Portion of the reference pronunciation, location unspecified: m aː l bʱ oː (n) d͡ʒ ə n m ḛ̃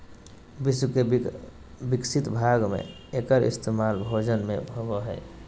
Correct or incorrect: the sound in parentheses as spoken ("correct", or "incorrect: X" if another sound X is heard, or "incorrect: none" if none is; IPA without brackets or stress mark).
incorrect: none